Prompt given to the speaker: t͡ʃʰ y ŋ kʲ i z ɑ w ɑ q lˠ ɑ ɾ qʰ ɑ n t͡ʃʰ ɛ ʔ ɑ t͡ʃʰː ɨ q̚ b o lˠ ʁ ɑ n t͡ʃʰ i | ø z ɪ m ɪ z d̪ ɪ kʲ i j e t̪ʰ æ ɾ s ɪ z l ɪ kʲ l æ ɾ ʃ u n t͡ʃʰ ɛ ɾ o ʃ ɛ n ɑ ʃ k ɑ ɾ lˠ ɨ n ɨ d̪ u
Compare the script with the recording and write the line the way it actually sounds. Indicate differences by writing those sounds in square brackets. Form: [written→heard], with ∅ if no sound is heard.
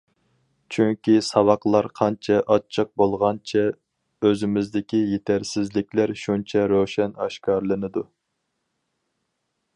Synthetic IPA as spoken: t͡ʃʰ y ŋ kʲ i [z→s] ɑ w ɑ q lˠ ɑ ɾ qʰ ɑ n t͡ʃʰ ɛ ʔ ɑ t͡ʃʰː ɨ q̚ b o lˠ ʁ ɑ n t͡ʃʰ [i→ɛ] | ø z ɪ m ɪ z d̪ ɪ kʲ i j e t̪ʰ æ ɾ s ɪ z l ɪ kʲ l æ ɾ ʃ u n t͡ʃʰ ɛ ɾ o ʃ ɛ n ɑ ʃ k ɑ ɾ lˠ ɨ n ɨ d̪ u